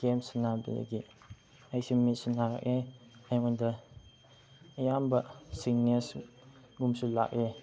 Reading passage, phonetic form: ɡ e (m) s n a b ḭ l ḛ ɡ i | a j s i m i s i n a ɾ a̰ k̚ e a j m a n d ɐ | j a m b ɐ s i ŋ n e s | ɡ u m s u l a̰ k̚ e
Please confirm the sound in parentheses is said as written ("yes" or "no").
yes